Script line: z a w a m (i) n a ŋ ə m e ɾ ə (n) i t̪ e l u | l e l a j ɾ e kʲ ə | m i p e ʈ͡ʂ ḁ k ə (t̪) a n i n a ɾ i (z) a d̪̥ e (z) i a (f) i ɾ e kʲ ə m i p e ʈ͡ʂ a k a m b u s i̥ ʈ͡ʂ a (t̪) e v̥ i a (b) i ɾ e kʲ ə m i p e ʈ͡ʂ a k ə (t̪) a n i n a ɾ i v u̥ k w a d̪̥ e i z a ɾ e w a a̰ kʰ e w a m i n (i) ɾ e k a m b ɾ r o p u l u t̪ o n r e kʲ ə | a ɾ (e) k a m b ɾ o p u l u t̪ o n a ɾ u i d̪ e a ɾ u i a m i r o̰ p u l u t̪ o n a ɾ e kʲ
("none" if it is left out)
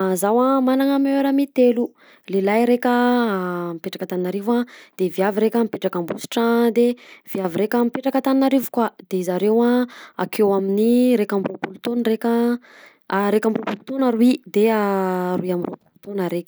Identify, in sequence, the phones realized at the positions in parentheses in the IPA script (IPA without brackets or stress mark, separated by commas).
a, m, t̪, v, v, v, d̪, v, t̪, i, e